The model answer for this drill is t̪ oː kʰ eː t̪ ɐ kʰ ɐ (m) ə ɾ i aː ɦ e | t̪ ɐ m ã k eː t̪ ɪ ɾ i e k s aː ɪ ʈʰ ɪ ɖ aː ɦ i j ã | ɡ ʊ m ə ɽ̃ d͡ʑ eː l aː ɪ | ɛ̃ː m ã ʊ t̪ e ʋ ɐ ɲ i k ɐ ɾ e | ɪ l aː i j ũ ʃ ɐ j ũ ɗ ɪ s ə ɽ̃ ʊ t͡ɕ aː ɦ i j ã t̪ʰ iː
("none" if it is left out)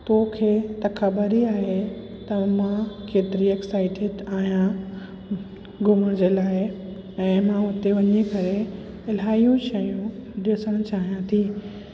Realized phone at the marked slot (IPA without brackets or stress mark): b